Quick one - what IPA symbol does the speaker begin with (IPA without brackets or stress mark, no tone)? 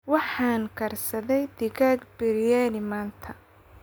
w